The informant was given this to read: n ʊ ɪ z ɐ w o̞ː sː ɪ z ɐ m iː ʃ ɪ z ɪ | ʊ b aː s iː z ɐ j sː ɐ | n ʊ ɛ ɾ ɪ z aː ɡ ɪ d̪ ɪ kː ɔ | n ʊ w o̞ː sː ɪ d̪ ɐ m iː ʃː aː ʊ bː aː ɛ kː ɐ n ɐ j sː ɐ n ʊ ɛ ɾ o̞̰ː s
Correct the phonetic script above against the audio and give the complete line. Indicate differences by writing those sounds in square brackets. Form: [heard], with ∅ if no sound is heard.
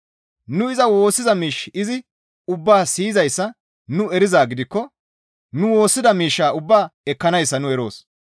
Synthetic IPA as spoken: n ʊ ɪ z ɐ w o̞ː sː ɪ z ɐ m iː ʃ ɪ z ɪ | ʊ [bː] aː s iː z ɐ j sː ɐ | n ʊ ɛ ɾ ɪ z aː ɡ ɪ d̪ ɪ kː ɔ | n ʊ w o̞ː sː ɪ d̪ ɐ m iː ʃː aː ʊ bː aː ɛ kː ɐ n ɐ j sː ɐ n ʊ ɛ ɾ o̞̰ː s